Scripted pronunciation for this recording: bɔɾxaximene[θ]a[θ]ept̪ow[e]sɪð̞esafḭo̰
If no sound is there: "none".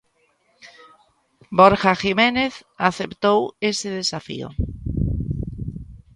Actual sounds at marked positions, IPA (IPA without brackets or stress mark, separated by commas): θ, θ, e